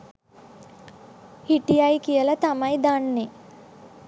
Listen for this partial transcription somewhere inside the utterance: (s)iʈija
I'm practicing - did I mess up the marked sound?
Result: yes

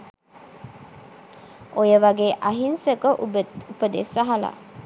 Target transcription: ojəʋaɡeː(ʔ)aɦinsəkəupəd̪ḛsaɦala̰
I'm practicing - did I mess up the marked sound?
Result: no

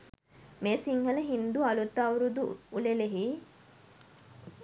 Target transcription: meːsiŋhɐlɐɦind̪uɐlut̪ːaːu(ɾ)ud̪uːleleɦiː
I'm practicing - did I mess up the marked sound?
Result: no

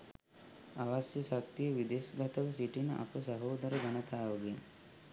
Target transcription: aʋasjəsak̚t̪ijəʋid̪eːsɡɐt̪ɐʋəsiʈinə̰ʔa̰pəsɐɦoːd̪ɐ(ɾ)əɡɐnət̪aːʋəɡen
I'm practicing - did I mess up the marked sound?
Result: no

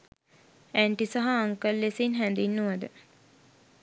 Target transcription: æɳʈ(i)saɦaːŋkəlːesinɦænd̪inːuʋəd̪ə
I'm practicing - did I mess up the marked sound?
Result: no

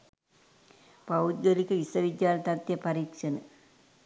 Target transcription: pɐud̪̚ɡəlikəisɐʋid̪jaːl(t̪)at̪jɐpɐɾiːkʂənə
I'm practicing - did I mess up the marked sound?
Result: no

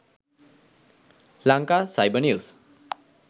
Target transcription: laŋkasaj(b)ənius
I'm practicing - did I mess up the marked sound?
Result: no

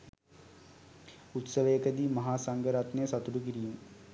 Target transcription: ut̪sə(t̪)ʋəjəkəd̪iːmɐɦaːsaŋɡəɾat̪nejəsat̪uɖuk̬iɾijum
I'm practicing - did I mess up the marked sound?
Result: yes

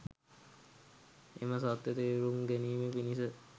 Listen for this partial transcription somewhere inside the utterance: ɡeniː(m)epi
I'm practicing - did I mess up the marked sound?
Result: no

